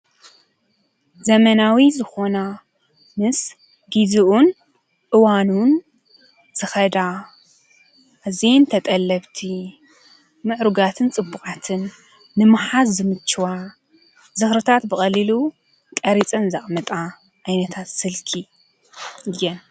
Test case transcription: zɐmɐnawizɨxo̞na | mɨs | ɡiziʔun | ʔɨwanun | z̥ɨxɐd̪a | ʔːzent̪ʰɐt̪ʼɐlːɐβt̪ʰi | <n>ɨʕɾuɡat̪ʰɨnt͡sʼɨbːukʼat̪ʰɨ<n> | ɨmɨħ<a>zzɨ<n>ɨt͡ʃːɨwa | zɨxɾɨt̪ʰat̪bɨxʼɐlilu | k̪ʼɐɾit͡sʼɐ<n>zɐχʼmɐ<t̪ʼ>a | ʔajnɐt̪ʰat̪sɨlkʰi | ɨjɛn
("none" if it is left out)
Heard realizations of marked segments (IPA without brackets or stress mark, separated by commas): m, nː, a, m, n, t̪ʼ